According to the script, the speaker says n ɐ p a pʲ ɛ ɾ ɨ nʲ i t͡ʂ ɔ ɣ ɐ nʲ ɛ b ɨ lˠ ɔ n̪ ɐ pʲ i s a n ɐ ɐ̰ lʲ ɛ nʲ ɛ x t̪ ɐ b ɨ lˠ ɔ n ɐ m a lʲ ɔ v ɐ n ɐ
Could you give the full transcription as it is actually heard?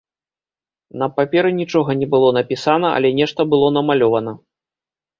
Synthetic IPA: n ɐ p a pʲ ɛ ɾ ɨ nʲ i t͡ʂ ɔ ɣ ɐ nʲ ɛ b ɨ lˠ ɔ n̪ ɐ pʲ i s a n ɐ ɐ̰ lʲ ɛ nʲ ɛ ʂ t̪ ɐ b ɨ lˠ ɔ n ɐ m a lʲ ɔ v ɐ n ɐ